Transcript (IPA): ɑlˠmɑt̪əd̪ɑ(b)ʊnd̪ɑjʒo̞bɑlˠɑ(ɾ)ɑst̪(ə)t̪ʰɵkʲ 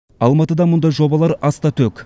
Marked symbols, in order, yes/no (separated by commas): no, yes, no